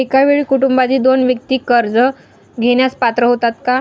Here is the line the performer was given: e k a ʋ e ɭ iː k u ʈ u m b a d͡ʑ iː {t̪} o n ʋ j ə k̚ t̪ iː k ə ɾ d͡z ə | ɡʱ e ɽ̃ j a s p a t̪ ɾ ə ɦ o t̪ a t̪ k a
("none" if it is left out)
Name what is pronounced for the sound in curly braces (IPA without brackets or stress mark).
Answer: d̪